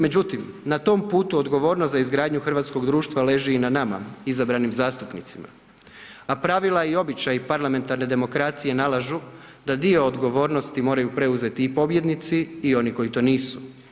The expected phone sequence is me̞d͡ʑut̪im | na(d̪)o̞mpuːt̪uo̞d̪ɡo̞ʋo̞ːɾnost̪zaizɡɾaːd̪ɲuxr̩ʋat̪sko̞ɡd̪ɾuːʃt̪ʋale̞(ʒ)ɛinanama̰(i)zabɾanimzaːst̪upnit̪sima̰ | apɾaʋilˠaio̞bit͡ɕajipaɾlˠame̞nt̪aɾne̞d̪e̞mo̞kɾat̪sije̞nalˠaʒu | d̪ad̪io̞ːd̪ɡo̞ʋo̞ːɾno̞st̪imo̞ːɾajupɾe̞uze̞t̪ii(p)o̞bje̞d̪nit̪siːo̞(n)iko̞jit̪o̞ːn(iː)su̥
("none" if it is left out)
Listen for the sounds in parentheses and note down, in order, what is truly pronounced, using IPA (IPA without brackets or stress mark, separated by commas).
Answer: t̪, ʒ, i, p, n, iː